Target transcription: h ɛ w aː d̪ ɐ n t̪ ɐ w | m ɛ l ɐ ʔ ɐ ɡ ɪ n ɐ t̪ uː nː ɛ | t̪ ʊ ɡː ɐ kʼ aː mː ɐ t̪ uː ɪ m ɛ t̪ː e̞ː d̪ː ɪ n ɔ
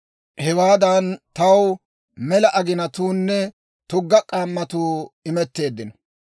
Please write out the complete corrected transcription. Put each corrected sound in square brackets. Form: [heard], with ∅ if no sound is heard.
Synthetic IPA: h ɛ w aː d̪ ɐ n t̪ ɐ w | m ɛ l ɐ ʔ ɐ ɡ ɪ n ɐ t̪ uː nː ɛ | t̪ ʊ ɡː ɐ kʼ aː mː ɐ t̪ uː ɪ m ɛ t̪ː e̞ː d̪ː ɪ n ɔ